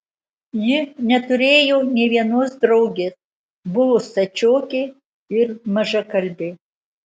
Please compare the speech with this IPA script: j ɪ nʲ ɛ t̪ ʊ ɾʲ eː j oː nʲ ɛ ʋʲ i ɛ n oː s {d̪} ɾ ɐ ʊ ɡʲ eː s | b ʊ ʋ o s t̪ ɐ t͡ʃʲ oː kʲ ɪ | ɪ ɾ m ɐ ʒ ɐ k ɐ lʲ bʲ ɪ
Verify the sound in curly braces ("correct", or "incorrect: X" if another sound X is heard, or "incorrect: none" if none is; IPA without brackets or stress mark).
correct